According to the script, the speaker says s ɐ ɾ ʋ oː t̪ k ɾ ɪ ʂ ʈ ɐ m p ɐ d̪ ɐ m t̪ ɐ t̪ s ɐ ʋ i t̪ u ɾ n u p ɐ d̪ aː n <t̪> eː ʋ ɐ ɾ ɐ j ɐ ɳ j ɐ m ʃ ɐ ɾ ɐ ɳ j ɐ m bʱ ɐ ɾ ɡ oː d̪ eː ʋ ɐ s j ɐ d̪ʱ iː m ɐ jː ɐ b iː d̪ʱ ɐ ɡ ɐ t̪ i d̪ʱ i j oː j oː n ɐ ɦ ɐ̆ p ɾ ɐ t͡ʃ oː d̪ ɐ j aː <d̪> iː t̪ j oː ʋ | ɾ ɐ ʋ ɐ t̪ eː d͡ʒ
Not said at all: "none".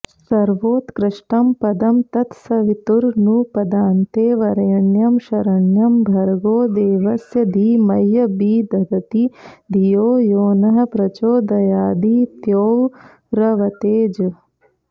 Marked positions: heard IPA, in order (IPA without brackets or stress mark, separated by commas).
t̪, d̪